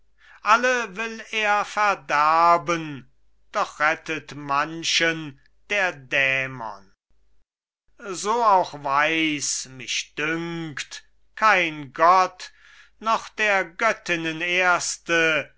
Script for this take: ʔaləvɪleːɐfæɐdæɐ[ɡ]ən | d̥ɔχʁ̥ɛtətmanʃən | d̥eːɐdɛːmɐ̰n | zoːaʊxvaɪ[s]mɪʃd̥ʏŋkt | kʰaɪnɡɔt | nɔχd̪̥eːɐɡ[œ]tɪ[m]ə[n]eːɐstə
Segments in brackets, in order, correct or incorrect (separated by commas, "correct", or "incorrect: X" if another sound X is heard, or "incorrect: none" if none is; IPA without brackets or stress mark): incorrect: b, correct, correct, incorrect: n, correct